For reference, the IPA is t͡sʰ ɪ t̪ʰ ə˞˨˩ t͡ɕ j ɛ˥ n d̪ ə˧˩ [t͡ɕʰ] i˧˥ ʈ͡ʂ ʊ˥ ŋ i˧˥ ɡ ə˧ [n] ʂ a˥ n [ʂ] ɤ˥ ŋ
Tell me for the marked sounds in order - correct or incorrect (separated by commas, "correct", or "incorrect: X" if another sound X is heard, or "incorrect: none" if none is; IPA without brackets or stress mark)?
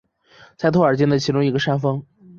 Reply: correct, incorrect: none, incorrect: f